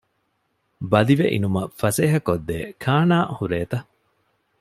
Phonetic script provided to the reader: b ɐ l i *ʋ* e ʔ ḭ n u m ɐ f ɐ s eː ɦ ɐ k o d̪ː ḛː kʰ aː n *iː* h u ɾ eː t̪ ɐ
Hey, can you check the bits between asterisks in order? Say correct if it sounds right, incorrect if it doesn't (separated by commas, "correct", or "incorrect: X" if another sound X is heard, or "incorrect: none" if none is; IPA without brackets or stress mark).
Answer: correct, incorrect: aː